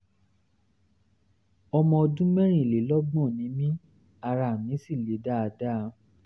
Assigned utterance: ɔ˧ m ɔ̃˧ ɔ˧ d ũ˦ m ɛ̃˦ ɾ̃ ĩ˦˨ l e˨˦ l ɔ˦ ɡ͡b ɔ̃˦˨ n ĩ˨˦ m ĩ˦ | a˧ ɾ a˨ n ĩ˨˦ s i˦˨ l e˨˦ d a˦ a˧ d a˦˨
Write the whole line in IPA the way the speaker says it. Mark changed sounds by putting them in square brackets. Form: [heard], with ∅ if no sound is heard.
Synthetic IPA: ɔ˧ m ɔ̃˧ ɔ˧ d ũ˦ m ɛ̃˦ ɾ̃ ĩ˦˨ l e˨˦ l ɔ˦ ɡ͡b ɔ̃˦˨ n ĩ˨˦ m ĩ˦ | a˧ ɾ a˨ [m] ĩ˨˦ s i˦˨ l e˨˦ d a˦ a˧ d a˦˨